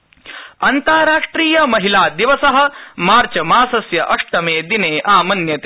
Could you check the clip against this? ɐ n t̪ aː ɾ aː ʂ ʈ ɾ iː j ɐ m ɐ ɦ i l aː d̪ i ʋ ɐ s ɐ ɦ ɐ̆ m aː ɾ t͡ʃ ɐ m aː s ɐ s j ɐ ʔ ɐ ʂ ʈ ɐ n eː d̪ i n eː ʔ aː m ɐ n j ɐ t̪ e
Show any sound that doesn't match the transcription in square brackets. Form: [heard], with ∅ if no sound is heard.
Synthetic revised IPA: ɐ n t̪ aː ɾ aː ʂ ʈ ɾ iː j ɐ m ɐ ɦ i l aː d̪ i ʋ ɐ s ɐ ɦ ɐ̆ m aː ɾ t͡ʃ ɐ m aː s ɐ s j ɐ ʔ ɐ ʂ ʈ ɐ [m] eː d̪ i n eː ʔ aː m ɐ n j ɐ t̪ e